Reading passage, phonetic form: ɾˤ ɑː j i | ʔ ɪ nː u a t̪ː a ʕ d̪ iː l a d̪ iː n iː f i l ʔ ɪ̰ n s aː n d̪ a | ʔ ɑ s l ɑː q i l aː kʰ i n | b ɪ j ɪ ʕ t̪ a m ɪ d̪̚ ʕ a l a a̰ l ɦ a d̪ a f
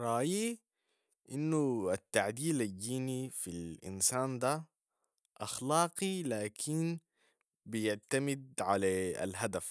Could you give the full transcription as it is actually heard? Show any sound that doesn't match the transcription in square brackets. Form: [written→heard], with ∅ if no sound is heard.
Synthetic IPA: ɾˤ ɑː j i | ʔ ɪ nː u a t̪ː a ʕ d̪ iː l a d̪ iː n [iː→i] f i l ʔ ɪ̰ n s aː n d̪ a | ʔ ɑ [s→x] l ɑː q i l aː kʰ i n | b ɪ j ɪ ʕ t̪ a m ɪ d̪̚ ʕ a l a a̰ l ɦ a d̪ a f